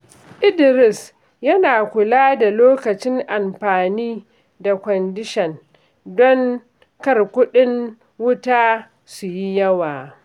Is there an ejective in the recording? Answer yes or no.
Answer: no